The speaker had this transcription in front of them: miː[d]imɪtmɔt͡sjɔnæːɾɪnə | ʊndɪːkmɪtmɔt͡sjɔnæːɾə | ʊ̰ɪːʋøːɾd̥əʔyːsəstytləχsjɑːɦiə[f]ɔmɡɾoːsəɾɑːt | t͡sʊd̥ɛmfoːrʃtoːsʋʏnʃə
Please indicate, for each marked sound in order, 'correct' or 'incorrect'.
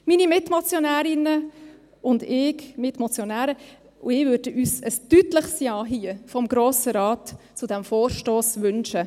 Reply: incorrect: n, correct

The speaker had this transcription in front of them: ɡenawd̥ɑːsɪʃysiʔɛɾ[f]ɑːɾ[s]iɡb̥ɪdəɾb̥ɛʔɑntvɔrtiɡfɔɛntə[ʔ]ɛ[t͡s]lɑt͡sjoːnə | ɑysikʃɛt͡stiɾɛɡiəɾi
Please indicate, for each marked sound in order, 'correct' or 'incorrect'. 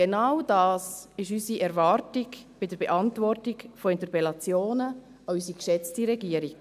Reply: incorrect: v, incorrect: t, incorrect: p, incorrect: none

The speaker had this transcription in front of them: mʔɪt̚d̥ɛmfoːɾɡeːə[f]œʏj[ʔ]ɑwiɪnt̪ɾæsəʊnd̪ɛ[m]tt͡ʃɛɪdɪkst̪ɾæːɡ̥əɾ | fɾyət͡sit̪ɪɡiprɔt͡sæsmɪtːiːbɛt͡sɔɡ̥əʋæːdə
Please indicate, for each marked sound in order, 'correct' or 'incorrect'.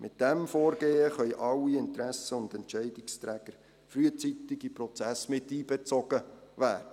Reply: incorrect: χ, correct, incorrect: n

